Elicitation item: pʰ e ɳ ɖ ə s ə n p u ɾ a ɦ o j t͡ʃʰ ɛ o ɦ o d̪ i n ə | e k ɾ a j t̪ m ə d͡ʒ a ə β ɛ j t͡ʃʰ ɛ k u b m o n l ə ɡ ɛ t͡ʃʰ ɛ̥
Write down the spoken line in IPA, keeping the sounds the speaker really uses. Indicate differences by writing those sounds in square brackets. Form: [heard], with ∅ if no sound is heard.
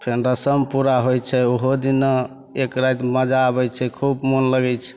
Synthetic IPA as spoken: pʰ e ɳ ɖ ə s ə [m] p u ɾ a ɦ o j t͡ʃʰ ɛ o ɦ o d̪ i n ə | e k ɾ a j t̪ m ə d͡ʒ a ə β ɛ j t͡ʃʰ ɛ [kʰ] u b m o n l ə ɡ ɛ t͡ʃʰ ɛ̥